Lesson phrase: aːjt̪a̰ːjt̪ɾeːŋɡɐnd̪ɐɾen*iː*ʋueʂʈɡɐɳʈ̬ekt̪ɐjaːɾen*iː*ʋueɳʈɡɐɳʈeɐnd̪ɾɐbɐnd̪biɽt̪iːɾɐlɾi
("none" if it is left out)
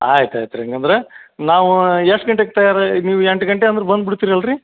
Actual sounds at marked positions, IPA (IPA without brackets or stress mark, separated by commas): aː, iː